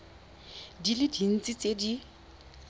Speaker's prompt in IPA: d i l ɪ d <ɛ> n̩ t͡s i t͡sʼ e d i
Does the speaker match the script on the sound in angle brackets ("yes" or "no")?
no